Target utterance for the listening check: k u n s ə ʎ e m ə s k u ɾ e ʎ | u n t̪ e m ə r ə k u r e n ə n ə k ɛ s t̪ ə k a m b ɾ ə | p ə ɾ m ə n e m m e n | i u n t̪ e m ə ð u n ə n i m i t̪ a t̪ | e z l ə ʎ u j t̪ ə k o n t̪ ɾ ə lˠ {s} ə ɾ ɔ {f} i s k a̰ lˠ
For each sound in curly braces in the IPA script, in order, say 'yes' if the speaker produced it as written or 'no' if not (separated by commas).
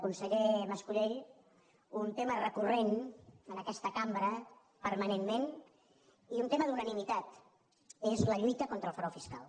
no, yes